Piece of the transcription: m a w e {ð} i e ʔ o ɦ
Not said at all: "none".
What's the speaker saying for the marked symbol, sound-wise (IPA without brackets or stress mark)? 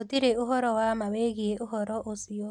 ɣ